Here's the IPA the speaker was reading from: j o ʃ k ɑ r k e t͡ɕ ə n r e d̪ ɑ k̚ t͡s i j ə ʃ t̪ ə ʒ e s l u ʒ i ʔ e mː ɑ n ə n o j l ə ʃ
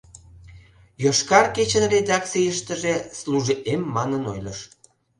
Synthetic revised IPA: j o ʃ k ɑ r k e t͡ɕ ə n r e d̪ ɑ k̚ t͡s i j ə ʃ t̪ ə ʒ e s l u ʒ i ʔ e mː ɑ n ə n o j l ə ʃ